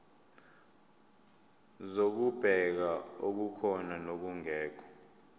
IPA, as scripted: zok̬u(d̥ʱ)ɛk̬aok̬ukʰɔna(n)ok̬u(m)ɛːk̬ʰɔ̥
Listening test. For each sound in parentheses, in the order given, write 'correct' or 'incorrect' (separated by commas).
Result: incorrect, correct, incorrect